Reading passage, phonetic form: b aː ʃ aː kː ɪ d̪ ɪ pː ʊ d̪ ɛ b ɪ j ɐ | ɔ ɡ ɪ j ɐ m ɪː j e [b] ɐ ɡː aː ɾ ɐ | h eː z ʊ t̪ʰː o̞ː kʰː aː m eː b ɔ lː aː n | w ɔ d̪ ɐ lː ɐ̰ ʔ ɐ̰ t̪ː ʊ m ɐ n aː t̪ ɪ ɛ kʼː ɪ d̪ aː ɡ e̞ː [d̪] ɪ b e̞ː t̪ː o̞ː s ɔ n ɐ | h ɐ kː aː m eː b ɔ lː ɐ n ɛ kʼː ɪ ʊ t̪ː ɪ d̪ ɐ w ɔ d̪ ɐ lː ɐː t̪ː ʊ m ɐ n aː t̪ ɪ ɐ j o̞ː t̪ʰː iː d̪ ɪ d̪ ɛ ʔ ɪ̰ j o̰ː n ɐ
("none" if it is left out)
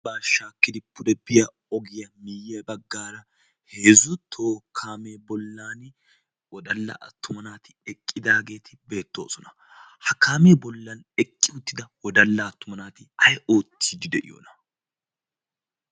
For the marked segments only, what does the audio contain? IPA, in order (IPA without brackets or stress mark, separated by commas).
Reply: b, t̪